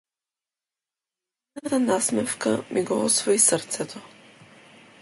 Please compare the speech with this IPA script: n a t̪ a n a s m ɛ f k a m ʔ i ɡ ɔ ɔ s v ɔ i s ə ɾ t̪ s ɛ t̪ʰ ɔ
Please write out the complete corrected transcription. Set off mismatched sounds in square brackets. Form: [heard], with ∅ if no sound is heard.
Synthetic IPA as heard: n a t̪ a n a s m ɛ f k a m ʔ i ɡ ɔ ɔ s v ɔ i s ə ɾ t̪ s ɛ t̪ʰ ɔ